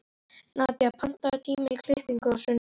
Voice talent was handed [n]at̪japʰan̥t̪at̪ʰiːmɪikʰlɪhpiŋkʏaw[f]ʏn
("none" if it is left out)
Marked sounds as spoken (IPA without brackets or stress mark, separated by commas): n, s